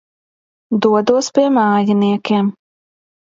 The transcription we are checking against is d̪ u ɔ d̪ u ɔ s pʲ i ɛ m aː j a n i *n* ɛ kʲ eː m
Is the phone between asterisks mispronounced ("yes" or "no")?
yes